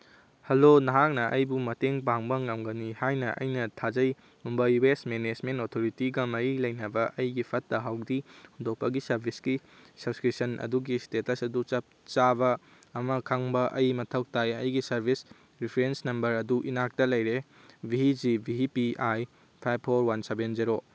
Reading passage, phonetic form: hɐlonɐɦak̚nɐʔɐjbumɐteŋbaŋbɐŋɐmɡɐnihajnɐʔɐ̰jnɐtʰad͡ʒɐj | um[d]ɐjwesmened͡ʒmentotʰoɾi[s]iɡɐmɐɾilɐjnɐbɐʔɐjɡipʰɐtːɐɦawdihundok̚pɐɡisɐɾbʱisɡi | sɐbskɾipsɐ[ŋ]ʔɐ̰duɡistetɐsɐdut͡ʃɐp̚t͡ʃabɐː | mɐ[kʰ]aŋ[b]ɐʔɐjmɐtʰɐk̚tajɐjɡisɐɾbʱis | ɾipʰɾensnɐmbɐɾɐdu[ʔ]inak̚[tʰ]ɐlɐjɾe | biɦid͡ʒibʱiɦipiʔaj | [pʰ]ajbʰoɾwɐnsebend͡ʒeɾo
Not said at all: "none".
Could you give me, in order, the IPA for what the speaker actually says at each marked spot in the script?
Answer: b, t, n, kʰ, b, ʔ, t, pʰ

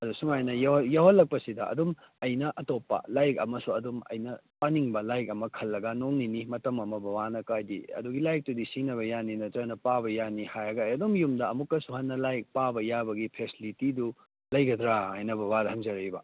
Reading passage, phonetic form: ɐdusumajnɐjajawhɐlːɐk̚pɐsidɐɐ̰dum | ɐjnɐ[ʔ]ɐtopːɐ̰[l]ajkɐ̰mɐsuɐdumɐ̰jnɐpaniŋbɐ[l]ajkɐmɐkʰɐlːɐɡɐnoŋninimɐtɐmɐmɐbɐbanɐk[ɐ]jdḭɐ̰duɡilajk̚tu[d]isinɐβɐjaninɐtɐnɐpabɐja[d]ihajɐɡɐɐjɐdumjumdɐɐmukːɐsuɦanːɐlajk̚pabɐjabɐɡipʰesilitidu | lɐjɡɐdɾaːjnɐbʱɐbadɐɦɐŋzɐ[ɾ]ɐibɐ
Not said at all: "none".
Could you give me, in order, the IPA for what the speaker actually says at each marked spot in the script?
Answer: ʔ, l, l, a, d, n, ɾ

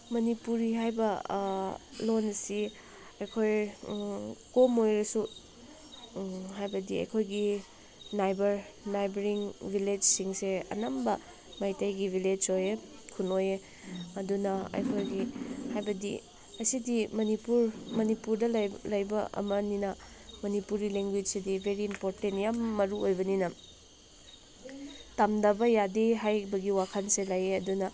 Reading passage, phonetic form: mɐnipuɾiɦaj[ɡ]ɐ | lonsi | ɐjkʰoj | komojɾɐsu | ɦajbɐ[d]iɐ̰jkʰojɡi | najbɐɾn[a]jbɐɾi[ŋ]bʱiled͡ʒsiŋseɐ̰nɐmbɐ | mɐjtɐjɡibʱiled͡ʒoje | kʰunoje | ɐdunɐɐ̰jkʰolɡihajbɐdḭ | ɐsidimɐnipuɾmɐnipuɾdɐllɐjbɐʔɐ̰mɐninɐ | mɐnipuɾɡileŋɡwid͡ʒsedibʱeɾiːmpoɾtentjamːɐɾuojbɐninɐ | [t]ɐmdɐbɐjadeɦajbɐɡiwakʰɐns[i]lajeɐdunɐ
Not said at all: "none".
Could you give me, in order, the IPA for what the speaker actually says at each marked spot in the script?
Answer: b, d, a, ŋ, t, e

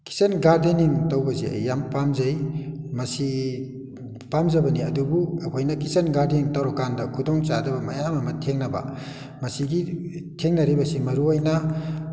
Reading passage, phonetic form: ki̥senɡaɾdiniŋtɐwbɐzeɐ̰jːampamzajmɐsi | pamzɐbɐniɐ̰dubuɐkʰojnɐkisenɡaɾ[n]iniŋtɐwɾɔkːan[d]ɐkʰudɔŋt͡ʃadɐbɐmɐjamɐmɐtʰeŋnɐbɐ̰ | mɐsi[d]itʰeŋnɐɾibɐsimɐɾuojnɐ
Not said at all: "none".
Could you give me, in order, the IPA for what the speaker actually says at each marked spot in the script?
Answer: d, d, ɡ

